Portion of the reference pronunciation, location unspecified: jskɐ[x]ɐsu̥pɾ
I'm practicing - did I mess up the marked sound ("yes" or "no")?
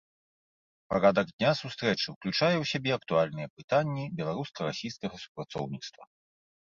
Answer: yes